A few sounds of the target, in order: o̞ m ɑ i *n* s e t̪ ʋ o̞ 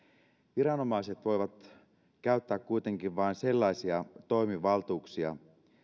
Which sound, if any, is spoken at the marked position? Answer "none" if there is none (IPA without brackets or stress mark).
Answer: none